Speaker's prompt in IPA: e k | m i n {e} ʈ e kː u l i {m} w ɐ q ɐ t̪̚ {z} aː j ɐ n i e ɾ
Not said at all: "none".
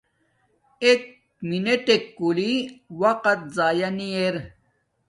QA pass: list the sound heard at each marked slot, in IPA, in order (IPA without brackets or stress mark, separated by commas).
e, none, z